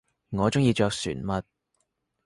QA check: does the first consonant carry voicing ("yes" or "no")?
yes